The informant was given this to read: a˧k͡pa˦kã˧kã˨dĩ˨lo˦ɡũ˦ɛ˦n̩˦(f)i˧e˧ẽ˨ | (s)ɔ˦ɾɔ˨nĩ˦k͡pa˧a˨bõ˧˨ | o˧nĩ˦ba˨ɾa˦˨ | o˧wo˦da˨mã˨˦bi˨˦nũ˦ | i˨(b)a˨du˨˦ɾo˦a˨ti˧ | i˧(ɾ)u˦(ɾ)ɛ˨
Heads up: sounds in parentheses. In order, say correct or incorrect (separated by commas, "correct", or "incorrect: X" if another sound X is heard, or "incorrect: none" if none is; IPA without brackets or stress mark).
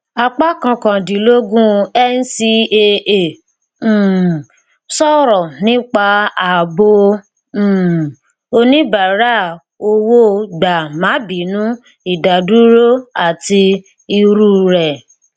incorrect: s, correct, incorrect: d, correct, correct